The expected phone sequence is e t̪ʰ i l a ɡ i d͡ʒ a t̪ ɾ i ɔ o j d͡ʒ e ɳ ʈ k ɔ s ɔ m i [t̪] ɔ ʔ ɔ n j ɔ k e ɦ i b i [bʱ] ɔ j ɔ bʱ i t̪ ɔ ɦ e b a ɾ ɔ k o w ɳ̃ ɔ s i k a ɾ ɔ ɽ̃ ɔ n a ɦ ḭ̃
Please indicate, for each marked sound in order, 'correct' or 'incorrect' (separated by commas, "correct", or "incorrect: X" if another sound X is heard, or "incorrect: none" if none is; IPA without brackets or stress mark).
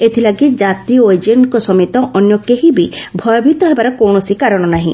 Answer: correct, correct